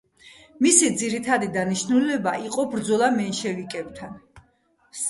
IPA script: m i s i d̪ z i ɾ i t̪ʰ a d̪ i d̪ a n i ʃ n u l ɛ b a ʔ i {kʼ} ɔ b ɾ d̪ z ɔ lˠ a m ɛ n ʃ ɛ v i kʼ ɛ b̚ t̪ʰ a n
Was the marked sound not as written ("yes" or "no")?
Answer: yes